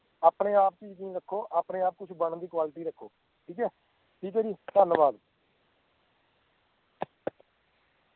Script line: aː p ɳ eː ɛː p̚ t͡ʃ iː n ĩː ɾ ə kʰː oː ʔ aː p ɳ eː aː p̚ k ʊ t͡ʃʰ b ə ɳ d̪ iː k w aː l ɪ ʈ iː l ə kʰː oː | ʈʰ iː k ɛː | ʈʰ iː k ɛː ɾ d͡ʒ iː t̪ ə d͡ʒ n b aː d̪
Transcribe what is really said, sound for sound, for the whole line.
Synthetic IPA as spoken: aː p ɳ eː aː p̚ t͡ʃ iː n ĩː ɾ ə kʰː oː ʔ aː p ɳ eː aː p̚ k ʊ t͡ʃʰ b ə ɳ d̪ iː k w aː l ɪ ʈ iː ɾ ə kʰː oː | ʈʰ iː k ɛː | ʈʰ iː k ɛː d͡ʒ iː t̪ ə n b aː d̪